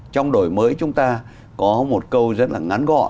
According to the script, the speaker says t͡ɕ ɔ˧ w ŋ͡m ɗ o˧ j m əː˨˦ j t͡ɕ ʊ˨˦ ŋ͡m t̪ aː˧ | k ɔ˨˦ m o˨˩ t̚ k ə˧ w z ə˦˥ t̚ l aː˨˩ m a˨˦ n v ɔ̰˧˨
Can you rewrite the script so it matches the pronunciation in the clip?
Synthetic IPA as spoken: t͡ɕ ɔ˧ w ŋ͡m ɗ o˨˩ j m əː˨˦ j t͡ɕ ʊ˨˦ ŋ͡m t̪ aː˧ | k ɔ˨˦ m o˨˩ t̚ k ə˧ w z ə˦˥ t̚ l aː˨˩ ŋ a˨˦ n ɣ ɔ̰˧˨